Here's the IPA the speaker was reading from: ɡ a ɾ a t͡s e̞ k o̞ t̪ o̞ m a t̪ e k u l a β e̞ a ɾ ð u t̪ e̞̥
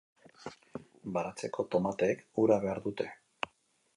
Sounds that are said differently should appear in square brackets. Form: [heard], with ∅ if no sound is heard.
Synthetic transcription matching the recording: [b] a ɾ a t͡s e̞ k o̞ t̪ o̞ m a t̪ e k u [ɾ] a β e̞ a ɾ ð u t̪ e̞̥